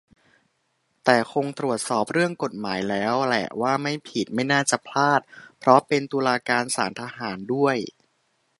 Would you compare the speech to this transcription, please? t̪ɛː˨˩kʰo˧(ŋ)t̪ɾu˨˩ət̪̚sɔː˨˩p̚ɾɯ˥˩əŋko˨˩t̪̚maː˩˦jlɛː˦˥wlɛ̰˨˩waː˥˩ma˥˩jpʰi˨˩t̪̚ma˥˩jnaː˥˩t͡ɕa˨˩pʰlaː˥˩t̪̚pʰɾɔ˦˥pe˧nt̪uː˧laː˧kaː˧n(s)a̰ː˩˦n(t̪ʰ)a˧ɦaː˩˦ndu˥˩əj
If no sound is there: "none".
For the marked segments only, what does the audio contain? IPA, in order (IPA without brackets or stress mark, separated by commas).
ŋ, s, t̪ʰ